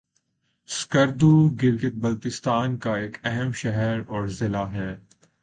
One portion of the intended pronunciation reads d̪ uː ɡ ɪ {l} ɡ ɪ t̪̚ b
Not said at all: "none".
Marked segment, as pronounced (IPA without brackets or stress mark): ɾ